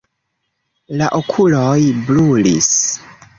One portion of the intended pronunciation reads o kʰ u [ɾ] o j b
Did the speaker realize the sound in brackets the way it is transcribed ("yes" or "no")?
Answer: no